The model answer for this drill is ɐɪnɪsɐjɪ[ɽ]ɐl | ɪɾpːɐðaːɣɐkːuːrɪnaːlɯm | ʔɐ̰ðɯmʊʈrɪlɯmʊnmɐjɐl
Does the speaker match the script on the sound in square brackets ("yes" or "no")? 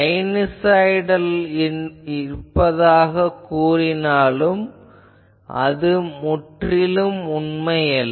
yes